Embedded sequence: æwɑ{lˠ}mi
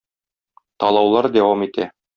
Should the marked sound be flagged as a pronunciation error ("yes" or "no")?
yes